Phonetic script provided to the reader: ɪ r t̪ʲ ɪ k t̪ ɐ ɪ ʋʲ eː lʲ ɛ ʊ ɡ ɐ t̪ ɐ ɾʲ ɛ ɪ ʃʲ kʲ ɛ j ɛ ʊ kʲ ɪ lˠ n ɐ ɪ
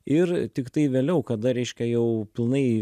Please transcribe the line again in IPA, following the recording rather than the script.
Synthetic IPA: ɪ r t̪ʲ ɪ k t̪ ɐ ɪ ʋʲ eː lʲ ɛ ʊ k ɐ d̪ ɐ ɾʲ ɛ ɪ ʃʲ kʲ ɛ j ɛ ʊ pʲ ɪ lˠ n ɐ ɪ